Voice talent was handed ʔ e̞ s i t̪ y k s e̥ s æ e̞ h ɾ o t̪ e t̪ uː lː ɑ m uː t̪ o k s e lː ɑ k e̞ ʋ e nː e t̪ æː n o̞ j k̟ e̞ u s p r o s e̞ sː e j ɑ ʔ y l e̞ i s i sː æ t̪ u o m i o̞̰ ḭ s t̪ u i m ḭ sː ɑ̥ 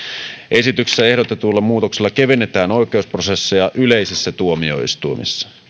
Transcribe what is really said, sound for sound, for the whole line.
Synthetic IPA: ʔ e̞ s i t̪ y k s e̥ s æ e̞ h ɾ o t̪ e t̪ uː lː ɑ m uː t̪ o k s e lː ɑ k e̞ ʋ e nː e t̪ æː n o̞ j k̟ e̞ u s p r o s e̞ sː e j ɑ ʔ y l e̞ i s i sː æ t̪ u o m i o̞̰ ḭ s t̪ u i m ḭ sː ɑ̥